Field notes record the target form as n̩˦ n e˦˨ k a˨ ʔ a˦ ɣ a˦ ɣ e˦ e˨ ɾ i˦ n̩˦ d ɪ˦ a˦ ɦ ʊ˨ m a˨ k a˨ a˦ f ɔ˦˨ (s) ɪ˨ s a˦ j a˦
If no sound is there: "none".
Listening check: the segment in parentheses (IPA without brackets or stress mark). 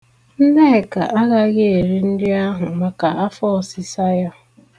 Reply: s